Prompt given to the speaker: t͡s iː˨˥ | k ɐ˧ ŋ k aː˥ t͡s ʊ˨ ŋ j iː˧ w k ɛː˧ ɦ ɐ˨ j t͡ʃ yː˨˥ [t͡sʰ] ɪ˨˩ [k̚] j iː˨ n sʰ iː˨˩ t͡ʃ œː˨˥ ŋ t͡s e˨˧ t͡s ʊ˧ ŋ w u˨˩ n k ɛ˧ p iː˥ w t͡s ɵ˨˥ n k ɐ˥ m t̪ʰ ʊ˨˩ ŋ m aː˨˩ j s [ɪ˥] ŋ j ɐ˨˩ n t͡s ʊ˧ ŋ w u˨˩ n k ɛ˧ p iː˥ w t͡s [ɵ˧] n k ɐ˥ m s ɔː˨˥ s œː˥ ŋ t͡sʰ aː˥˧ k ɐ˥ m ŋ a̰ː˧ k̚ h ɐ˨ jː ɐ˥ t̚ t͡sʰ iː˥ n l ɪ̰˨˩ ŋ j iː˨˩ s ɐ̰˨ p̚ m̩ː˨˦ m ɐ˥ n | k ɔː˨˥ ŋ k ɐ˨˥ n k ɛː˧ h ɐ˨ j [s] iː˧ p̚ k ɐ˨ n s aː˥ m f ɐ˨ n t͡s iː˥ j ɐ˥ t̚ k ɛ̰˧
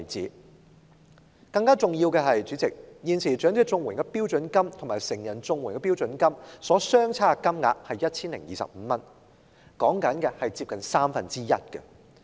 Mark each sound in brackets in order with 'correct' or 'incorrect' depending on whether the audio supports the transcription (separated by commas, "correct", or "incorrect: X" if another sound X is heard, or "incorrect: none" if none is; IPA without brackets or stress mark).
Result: incorrect: t͡s, correct, incorrect: ɪ˨˩, incorrect: ɵ˨˥, incorrect: t͡s